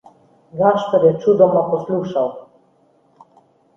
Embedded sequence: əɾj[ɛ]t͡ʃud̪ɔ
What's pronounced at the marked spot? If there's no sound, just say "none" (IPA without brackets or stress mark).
ɛ